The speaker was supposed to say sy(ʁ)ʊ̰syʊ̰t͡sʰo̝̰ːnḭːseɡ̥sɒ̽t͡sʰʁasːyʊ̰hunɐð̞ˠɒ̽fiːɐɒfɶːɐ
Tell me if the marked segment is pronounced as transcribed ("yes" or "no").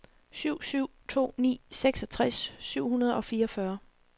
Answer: no